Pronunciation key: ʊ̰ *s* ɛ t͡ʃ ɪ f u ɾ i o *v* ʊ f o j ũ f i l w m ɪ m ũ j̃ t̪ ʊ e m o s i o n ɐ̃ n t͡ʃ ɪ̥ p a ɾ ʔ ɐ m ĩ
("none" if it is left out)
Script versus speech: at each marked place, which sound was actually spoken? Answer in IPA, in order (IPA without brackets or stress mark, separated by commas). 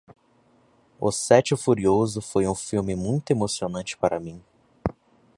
s, z